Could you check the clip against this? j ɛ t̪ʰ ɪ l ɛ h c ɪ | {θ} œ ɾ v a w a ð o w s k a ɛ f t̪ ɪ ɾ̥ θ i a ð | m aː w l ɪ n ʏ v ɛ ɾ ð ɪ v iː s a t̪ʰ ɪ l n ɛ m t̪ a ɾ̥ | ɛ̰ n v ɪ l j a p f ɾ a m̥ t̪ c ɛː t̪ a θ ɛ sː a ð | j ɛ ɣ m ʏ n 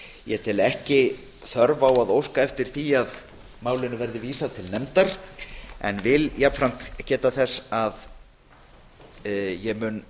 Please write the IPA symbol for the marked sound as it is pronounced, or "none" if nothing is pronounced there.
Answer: θ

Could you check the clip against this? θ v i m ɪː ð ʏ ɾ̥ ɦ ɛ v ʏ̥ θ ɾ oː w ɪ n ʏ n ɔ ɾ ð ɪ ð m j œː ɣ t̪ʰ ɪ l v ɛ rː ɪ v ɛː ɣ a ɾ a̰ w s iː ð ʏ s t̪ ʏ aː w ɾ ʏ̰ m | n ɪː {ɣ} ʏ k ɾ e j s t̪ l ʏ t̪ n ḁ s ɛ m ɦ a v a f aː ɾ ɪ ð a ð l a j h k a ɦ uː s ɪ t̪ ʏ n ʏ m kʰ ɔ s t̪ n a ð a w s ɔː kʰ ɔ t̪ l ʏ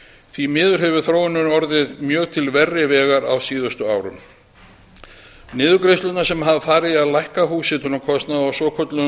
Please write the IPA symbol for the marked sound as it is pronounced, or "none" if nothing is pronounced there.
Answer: ð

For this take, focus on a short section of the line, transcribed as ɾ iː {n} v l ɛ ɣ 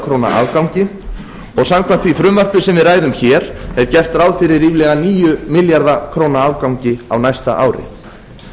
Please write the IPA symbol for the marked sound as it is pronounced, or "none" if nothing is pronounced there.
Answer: none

